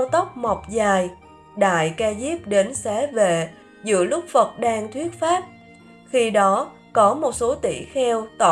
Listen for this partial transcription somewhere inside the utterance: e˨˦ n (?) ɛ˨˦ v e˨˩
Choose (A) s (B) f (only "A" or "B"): A